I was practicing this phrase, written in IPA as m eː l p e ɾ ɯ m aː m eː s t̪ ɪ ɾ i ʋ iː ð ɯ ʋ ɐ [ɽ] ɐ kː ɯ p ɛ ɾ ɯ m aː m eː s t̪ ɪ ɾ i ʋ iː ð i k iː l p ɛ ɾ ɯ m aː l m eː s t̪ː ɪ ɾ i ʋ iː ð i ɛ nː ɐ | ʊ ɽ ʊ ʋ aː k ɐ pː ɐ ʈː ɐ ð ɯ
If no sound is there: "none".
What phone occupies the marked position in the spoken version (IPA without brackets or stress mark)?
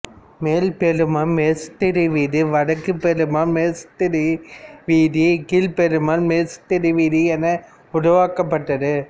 ɽ